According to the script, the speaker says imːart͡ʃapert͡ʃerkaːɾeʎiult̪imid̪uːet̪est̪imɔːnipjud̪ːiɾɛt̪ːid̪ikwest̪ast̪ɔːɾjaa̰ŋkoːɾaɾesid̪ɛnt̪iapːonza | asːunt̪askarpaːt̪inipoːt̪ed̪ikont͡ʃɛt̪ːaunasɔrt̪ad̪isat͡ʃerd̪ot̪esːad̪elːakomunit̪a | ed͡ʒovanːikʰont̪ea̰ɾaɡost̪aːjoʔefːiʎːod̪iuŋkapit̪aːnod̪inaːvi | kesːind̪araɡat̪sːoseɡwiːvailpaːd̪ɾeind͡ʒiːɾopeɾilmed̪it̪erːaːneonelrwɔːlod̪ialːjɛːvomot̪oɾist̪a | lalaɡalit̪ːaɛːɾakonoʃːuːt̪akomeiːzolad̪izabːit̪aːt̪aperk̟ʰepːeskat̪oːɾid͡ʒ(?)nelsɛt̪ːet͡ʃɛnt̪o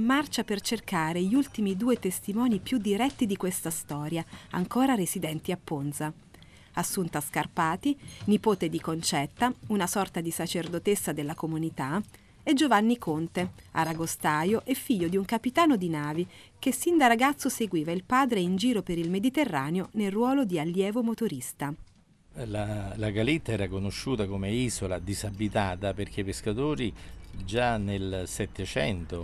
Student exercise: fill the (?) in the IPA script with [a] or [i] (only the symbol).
a